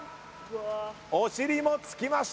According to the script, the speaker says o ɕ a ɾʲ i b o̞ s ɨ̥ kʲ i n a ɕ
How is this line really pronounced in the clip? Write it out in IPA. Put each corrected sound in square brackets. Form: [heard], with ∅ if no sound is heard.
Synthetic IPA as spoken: o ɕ [i] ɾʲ i [m] o̞ [t͡s] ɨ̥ kʲ i [m] a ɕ